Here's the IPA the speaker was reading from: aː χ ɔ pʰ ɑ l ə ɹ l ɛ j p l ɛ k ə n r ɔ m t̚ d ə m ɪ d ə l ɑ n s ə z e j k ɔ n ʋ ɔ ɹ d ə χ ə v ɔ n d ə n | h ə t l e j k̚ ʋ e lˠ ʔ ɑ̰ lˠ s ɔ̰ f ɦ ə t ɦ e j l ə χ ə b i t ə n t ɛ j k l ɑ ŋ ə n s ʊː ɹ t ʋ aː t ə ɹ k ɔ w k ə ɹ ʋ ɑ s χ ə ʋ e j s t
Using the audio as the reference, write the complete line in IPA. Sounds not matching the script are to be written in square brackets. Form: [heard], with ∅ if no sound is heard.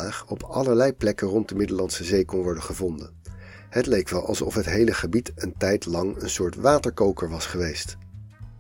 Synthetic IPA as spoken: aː χ ɔ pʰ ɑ l ə ɹ l ɛ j p l ɛ k ə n r ɔ [n] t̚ d ə m ɪ d ə l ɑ n s ə z e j k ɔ n ʋ ɔ ɹ d ə χ ə v ɔ n d ə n | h ə t l e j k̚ ʋ [ɛ] lˠ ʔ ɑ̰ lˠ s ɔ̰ f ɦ ə t ɦ e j l ə χ ə b i t ə n t ɛ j [t] l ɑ ŋ ə n s ʊː ɹ t ʋ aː t ə ɹ k [o] w k ə ɹ ʋ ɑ s χ ə ʋ e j s t